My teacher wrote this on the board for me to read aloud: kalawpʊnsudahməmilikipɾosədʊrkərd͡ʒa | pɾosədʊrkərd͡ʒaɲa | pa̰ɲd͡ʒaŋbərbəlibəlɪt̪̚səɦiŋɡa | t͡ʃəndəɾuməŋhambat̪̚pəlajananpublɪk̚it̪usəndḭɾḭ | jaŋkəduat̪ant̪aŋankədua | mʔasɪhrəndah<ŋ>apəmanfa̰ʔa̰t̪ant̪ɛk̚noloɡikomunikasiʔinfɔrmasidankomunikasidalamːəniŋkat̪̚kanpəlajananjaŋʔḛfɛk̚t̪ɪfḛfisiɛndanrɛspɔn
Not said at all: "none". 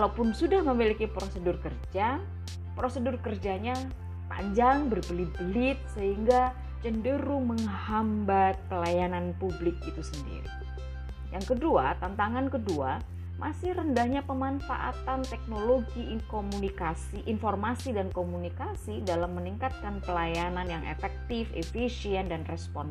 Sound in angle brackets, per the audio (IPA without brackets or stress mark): ɲ